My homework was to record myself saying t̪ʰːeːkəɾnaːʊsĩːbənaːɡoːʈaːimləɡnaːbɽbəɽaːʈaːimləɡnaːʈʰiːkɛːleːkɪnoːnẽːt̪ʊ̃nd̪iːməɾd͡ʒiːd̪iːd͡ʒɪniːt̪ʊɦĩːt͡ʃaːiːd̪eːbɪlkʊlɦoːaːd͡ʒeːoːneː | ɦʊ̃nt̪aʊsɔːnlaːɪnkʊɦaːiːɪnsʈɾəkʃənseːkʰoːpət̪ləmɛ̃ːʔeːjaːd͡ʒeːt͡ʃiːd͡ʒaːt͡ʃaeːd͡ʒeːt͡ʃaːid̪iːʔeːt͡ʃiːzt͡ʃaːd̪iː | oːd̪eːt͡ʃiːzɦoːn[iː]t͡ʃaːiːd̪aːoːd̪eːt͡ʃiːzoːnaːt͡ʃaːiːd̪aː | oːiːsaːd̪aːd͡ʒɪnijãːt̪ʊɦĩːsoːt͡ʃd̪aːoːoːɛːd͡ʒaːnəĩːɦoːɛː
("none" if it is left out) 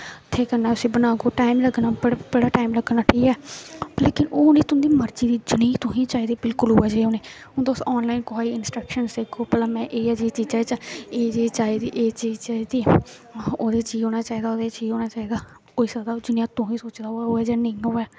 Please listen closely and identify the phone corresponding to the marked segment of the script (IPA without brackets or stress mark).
aː